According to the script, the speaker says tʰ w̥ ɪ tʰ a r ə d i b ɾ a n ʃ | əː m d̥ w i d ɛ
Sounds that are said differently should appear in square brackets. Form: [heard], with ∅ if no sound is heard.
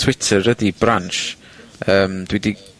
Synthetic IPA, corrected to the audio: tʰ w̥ ɪ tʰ [ə] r ə d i b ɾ a n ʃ | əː m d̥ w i d [i]